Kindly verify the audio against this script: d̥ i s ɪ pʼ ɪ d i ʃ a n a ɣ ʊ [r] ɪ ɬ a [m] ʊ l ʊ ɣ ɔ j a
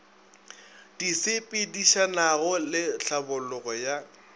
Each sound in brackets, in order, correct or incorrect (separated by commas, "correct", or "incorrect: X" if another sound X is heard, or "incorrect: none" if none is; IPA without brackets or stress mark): incorrect: l, incorrect: b